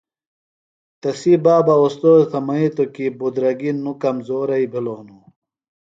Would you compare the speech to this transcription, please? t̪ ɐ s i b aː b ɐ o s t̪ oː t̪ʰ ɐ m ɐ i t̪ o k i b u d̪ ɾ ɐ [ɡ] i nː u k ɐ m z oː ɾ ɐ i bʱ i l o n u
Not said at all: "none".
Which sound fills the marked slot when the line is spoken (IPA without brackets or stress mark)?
ɡ